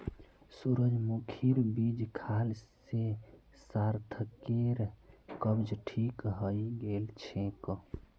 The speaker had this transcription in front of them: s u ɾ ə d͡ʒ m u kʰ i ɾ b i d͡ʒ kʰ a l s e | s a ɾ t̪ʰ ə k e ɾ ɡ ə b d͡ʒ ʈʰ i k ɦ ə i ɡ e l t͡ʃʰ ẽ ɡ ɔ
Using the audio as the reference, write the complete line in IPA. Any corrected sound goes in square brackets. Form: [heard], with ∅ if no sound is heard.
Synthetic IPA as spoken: s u ɾ ə d͡ʒ m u kʰ i ɾ b i d͡ʒ kʰ a l s e | s a ɾ t̪ʰ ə k e ɾ [k] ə b d͡ʒ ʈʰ i k ɦ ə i ɡ e l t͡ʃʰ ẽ [k] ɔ